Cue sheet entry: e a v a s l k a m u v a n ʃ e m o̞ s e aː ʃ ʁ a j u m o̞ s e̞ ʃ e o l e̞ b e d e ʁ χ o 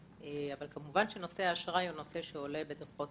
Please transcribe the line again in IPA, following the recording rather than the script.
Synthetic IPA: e a v a l k a m u v a n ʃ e n o̞ s e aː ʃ ʁ a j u n o̞ s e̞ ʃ e o l e̞ b e d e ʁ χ o